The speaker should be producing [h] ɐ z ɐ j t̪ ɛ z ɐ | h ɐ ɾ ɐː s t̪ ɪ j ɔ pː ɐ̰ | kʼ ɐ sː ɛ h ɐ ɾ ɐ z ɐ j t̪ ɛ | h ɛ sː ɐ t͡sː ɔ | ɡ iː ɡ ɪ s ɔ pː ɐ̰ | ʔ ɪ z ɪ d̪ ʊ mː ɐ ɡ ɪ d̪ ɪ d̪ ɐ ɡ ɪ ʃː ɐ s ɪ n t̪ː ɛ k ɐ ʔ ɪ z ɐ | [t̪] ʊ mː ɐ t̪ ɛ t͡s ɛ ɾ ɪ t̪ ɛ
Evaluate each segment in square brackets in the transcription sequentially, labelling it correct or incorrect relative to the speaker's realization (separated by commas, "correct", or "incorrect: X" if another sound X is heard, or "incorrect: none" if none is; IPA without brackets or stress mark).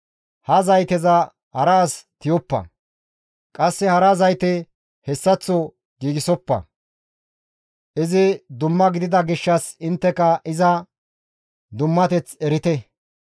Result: correct, incorrect: d̪